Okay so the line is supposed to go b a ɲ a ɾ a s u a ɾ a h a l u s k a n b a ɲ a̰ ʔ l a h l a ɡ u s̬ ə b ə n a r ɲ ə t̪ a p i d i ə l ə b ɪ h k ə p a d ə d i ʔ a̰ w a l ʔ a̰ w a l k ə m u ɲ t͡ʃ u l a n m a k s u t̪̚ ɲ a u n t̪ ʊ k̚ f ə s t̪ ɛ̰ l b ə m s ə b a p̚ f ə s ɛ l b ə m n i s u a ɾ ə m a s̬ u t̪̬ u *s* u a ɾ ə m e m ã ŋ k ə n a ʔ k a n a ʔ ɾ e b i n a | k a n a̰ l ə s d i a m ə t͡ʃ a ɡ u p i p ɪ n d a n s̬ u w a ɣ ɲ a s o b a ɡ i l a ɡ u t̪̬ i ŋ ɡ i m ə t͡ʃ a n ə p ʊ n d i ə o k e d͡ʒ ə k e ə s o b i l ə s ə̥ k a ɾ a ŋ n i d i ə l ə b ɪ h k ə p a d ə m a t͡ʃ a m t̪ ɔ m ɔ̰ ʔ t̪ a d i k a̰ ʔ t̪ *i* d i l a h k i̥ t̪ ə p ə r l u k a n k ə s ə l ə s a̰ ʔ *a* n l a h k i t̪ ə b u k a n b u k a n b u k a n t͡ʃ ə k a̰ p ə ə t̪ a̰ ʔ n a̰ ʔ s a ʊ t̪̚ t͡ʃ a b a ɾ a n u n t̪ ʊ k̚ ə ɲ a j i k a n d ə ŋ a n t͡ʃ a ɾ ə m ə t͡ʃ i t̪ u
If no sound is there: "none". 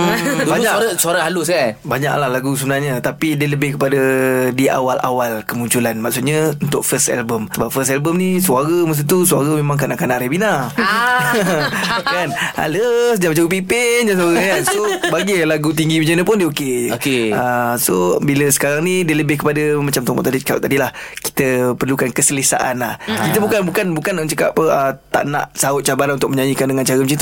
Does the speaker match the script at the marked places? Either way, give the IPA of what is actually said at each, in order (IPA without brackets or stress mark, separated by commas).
s, a, a